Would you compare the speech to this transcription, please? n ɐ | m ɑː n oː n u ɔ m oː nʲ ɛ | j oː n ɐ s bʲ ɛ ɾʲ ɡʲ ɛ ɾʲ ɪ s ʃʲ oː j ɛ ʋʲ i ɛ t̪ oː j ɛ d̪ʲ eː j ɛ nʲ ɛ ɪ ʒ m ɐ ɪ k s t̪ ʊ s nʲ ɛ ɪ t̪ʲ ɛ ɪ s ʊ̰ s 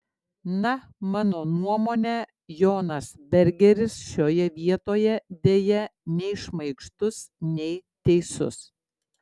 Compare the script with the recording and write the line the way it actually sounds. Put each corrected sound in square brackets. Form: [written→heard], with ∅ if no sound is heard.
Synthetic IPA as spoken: n ɐ | m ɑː n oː n u ɔ m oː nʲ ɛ | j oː n ɐ s bʲ ɛ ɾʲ ɡʲ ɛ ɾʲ ɪ s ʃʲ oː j ɛ ʋʲ i ɛ t̪ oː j ɛ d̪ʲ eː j ɛ nʲ ɛ ɪ [ʒ→ʃ] m ɐ ɪ k [s→ʃ] t̪ ʊ s nʲ ɛ ɪ t̪ʲ ɛ ɪ s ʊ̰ s